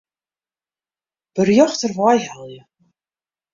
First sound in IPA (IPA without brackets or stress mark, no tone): b̥